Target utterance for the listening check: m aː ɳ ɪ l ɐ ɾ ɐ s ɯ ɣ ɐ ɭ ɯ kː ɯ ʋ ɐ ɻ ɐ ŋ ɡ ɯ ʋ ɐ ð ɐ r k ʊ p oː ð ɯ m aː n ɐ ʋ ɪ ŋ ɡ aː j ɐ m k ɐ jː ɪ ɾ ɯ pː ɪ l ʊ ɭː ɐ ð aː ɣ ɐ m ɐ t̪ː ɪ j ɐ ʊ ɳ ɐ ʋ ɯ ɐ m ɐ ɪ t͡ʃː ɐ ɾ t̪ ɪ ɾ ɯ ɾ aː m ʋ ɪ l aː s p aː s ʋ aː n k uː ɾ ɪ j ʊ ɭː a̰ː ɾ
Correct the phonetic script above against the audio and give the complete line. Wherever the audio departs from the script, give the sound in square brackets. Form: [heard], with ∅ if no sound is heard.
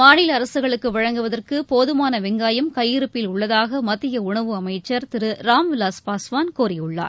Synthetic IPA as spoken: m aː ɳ ɪ l ɐ ɾ ɐ s ɯ ɣ ɐ ɭ ɯ kː ɯ ʋ ɐ ɻ ɐ ŋ ɡ ɯ ʋ ɐ ð ɐ r k [ɯ] p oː ð ɯ m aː n ɐ ʋ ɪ ŋ ɡ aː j ɐ m k ɐ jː ɪ ɾ ɯ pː ɪ l ʊ ɭː ɐ ð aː ɣ ɐ m ɐ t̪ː ɪ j ɐ ʊ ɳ ɐ ʋ ɯ ɐ m ɐ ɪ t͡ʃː ɐ ɾ t̪ ɪ ɾ ɯ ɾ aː m ʋ ɪ l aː s p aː s ʋ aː n k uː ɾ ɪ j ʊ ɭː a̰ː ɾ